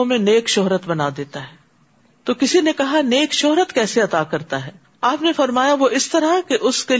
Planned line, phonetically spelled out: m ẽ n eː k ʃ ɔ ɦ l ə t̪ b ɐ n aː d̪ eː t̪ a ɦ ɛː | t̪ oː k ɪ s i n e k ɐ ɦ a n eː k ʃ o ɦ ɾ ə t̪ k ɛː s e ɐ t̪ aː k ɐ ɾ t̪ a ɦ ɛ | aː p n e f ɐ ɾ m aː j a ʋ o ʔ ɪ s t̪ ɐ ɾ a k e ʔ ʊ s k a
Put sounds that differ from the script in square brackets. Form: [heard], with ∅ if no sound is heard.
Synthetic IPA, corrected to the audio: m ẽ n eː k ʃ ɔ ɦ [ɾ] ə t̪ b ɐ n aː d̪ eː t̪ a ɦ ɛː | t̪ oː k ɪ s i n e k ɐ ɦ a n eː k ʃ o ɦ ɾ ə t̪ k ɛː s e ɐ t̪ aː k ɐ ɾ t̪ a ɦ [ɛː] | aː p n e f ɐ ɾ m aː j a ʋ o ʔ ɪ s t̪ ɐ ɾ a k e ʔ ʊ s k [e]